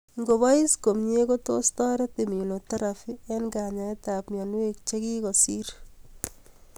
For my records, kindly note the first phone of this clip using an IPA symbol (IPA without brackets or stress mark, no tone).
ŋ